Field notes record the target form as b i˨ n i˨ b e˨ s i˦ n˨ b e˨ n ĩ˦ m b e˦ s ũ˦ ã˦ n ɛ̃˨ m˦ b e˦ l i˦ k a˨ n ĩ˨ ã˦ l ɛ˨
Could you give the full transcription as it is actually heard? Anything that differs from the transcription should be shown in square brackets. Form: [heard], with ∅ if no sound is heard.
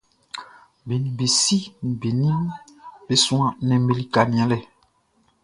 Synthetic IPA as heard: b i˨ n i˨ b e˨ s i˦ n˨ b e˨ n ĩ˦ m b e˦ s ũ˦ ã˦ n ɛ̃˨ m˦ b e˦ l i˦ k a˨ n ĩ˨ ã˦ l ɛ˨